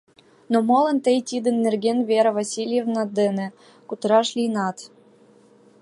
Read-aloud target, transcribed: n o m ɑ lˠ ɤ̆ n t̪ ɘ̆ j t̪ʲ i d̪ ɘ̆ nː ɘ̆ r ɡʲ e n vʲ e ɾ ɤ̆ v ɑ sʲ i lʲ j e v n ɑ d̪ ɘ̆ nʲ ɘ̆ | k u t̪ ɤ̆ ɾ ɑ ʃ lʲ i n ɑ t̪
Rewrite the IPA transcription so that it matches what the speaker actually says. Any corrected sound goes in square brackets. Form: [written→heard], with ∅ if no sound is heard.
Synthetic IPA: n o m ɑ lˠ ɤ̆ n t̪ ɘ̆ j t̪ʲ i d̪ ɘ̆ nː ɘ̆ r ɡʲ e n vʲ e ɾ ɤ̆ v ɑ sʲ i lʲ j e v n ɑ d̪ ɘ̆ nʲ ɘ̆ | k u t̪ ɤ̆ ɾ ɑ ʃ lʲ i n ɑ t̪